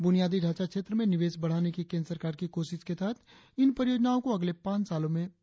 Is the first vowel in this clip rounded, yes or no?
yes